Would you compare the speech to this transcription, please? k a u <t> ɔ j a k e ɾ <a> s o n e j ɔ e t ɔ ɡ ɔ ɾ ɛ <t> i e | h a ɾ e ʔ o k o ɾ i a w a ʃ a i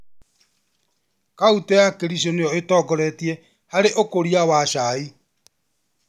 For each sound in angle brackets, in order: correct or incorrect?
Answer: correct, incorrect, correct

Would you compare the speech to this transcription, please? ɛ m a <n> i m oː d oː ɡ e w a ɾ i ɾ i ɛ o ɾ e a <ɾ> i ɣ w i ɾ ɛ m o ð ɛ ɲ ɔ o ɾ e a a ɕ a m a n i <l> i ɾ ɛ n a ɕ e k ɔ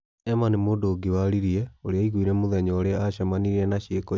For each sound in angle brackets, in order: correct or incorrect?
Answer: correct, incorrect, incorrect

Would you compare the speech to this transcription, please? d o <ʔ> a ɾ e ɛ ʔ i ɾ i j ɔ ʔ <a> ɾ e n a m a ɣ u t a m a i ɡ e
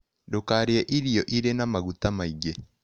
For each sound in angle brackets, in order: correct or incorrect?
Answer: incorrect, incorrect

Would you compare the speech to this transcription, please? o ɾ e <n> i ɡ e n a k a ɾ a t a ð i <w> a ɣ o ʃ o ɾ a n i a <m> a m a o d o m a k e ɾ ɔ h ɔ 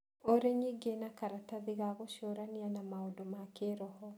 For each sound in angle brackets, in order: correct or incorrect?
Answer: incorrect, incorrect, incorrect

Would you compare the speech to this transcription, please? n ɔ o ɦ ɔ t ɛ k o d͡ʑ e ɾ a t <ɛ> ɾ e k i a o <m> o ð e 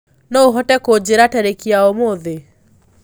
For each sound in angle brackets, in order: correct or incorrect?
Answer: correct, correct

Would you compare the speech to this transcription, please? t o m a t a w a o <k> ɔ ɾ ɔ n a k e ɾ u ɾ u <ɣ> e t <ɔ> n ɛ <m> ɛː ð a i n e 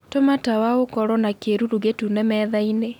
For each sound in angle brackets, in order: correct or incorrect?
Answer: correct, correct, incorrect, correct

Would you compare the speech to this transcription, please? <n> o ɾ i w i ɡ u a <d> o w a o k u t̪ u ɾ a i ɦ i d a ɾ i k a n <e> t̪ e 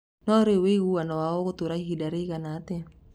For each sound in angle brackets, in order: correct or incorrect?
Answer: correct, incorrect, incorrect

